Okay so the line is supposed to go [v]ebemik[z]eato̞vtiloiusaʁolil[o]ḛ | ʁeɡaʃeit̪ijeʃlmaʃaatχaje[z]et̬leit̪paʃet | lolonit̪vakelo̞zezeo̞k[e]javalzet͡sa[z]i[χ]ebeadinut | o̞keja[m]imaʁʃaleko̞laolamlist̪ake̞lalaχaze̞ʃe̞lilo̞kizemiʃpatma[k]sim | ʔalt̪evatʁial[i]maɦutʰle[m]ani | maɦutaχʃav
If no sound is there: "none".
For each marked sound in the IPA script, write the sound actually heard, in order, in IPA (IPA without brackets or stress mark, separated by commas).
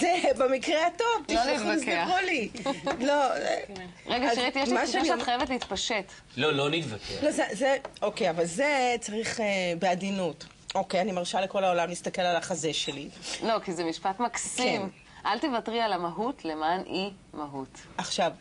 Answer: z, ʁ, o, v, e, ʁ, χ, n, k, a, m